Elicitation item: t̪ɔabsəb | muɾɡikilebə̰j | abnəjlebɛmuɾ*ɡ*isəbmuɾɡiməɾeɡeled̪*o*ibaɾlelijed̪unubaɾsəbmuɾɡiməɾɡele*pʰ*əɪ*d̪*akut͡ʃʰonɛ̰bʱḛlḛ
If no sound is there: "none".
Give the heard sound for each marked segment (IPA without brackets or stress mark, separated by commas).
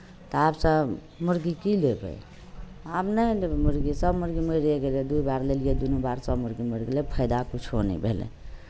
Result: ɡ, u, pʰ, d̪